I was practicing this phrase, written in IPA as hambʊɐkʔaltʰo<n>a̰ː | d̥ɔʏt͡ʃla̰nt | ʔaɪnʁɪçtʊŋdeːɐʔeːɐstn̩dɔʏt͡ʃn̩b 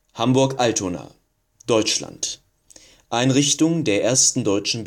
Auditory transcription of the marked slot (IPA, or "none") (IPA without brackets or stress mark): n